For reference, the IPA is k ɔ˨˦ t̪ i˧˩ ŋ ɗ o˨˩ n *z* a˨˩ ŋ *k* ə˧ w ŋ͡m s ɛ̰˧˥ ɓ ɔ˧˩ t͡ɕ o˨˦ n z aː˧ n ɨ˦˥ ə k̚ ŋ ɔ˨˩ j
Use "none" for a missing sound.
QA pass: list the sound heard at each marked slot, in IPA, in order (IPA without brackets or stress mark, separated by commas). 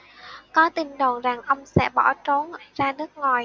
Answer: z, ʔ